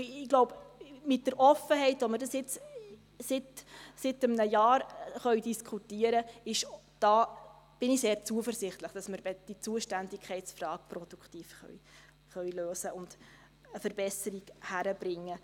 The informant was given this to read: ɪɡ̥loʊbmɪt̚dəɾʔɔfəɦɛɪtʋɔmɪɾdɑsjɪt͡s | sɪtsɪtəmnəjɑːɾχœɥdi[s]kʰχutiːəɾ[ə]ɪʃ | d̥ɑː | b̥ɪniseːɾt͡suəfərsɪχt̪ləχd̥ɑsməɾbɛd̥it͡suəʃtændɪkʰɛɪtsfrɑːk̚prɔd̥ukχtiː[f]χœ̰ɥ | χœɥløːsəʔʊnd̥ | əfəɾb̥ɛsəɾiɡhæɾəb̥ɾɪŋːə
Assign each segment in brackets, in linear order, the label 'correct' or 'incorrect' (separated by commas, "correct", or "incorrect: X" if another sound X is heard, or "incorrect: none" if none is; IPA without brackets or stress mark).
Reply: correct, correct, correct